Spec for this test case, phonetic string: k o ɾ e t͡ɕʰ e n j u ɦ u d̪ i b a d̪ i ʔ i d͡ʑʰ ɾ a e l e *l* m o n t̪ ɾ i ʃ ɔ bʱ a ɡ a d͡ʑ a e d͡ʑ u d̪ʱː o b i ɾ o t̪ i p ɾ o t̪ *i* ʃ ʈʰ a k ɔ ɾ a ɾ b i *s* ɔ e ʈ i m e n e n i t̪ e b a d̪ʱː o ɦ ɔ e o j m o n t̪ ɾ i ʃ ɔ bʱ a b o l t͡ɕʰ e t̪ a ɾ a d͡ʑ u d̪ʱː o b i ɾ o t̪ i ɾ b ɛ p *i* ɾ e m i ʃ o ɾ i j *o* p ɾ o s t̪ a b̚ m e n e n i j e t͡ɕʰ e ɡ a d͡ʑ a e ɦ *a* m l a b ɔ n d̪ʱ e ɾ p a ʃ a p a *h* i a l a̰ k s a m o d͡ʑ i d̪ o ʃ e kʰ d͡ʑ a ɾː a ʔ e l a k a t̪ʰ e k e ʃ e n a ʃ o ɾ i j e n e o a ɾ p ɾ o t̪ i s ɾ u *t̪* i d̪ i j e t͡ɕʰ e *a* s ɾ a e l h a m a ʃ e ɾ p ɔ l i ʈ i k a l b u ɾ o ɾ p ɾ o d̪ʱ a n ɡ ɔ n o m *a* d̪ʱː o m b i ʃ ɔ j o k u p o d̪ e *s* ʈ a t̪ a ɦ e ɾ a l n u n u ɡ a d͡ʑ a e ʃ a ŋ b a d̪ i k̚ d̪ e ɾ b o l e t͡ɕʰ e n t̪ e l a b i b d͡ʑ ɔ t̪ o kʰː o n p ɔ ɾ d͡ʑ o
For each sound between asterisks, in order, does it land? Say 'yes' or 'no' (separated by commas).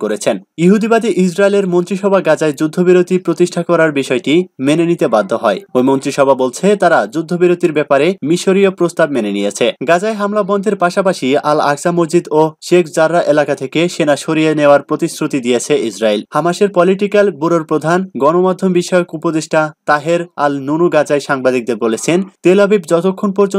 no, yes, no, no, yes, yes, no, yes, no, yes, no